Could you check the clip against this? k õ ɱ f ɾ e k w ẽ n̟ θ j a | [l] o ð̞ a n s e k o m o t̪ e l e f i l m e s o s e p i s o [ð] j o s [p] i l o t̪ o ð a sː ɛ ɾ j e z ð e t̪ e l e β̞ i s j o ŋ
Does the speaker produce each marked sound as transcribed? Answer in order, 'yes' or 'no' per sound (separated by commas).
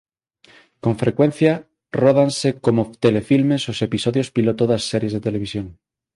no, yes, yes